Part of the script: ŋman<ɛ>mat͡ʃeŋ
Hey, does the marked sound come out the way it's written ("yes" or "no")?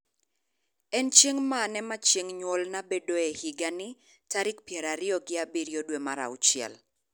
yes